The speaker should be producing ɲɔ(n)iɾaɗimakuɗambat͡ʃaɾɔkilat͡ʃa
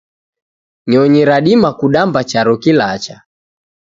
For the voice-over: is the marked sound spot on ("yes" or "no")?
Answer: no